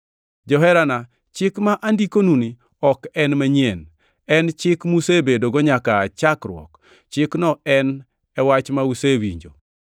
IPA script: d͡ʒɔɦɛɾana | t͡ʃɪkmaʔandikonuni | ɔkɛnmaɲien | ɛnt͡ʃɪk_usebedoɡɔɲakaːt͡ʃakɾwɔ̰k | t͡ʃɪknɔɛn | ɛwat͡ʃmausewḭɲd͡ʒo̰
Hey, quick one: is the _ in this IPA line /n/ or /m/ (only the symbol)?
m